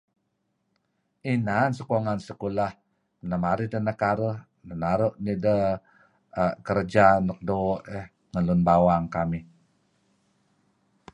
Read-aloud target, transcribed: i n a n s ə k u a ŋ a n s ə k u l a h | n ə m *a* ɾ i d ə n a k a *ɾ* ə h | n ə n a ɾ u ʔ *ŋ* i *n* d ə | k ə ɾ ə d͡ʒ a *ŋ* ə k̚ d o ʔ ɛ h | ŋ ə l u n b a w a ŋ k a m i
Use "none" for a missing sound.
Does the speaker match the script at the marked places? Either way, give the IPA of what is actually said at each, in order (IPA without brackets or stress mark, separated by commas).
a, ɾ, n, none, n